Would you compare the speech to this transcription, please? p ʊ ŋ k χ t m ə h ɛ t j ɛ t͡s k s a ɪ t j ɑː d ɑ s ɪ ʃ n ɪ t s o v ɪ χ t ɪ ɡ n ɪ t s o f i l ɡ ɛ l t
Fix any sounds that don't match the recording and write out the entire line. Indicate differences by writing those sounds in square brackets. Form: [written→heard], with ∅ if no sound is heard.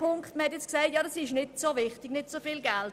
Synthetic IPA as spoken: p ʊ ŋ k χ t m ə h ɛ t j ɛ t͡s k s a ɪ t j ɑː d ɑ s ɪ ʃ n ɪ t s o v ɪ χ t ɪ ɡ n ɪ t s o f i l ɡ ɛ l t